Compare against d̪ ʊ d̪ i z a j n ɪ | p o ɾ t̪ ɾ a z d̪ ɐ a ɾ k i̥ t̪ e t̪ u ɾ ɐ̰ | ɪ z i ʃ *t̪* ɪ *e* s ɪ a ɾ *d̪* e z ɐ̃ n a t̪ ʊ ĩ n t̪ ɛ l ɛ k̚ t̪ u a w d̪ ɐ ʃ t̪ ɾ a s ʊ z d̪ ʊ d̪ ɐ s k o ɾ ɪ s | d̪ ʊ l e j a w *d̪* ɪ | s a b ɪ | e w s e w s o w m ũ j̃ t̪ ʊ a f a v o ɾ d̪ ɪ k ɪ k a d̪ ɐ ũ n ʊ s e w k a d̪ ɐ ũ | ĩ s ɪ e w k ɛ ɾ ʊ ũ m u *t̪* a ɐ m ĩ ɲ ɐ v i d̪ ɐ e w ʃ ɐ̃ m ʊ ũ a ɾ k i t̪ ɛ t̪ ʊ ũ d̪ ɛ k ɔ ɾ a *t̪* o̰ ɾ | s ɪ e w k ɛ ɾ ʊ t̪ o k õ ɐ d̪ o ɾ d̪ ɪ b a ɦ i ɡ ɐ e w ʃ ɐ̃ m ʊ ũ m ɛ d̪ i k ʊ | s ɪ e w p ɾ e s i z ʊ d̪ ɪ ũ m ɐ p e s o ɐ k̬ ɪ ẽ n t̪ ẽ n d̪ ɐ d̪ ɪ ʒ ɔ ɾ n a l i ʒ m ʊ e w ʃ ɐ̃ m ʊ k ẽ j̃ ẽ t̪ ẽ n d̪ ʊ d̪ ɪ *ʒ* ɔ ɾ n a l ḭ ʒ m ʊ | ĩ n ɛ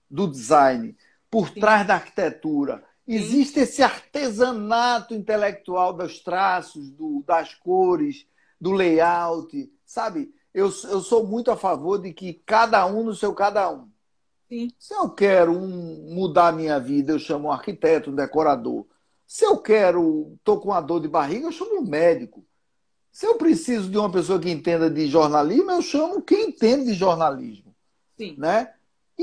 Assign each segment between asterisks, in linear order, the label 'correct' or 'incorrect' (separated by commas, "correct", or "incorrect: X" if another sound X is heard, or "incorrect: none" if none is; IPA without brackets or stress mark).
correct, correct, incorrect: t̪, incorrect: t̪, incorrect: d̪, incorrect: d̪, correct